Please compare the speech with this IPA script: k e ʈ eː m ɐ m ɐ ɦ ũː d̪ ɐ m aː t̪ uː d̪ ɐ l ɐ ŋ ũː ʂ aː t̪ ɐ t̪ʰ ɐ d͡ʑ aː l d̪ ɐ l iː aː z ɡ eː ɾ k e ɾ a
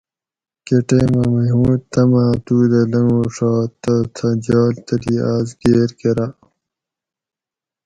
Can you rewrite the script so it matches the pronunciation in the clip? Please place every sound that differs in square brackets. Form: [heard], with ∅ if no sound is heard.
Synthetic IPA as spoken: k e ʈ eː m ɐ m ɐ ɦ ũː [t̪] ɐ m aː t̪ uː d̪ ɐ l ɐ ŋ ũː ʂ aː t̪ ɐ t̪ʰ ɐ d͡ʑ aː l [t̪] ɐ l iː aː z ɡ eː ɾ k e ɾ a